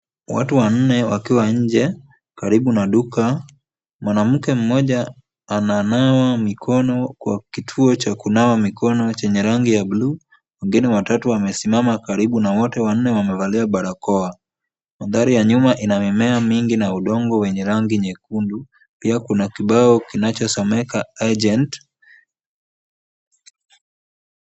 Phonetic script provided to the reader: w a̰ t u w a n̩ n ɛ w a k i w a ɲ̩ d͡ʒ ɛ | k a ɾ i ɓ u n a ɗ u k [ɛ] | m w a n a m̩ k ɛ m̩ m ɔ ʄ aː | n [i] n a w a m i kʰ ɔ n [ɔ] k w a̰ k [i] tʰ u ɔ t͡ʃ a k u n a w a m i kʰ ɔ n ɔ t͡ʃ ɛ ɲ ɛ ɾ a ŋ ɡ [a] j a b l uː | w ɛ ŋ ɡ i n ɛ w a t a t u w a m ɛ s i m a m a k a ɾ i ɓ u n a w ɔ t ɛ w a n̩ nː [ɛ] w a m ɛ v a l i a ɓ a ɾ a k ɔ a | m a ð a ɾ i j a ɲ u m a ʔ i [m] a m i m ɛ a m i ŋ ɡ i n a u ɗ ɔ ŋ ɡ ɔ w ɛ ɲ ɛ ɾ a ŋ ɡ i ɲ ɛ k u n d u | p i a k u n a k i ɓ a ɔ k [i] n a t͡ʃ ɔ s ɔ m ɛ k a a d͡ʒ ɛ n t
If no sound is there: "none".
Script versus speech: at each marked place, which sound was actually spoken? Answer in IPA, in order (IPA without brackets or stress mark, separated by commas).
a, a, ɔ, i, i, ɛ, n, i